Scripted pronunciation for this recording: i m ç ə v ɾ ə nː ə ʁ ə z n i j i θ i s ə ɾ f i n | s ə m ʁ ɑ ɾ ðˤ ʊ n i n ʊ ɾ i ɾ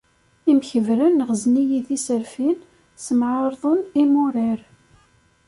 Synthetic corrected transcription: i m ç ə v ɾ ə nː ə ʁ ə z n i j i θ i s ə ɾ f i n | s ə m ʕ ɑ ɾ ðˤ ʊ n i m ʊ ɾ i ɾ